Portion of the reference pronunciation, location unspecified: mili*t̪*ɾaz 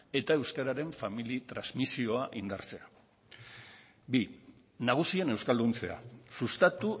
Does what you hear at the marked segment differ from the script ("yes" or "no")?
no